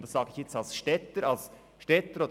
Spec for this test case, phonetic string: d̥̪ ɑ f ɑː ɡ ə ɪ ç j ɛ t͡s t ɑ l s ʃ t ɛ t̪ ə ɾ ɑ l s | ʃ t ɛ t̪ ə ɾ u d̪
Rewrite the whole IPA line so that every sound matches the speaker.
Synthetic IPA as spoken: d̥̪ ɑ s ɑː ɡ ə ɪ ç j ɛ t͡s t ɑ l s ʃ t ɛ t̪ ə ɾ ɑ l s | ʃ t ɛ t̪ ə ɾ o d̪